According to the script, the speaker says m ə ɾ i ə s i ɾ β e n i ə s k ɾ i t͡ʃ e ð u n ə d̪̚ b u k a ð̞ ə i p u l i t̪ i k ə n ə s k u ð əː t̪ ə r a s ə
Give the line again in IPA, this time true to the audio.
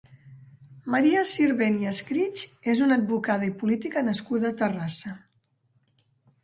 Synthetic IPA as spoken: m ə ɾ i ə s i ɾ β e n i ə s k ɾ i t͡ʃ e z u n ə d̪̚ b u k a ð̞ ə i p u l i t̪ i k ə n ə s k u ð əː t̪ ə r a s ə